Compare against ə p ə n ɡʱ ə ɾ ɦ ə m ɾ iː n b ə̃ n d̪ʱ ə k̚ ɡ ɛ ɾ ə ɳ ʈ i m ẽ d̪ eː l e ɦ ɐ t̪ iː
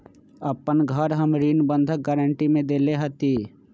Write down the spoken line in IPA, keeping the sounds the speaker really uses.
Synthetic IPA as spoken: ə p ə n ɡʱ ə ɾ ɦ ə m ɾ iː n b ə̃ n d̪ʱ ə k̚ ɡ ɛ ɾ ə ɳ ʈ i m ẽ d̪ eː l e ɦ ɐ t̪ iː